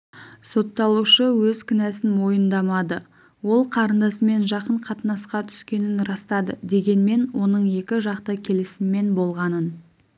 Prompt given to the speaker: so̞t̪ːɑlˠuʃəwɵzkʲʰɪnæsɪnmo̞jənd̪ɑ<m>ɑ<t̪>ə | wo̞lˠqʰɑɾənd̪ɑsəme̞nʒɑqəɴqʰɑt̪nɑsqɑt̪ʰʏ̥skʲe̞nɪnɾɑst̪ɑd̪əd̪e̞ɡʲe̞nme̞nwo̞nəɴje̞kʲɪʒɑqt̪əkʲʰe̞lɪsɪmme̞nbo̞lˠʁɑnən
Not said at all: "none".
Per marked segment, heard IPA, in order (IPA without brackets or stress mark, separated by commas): m, d̪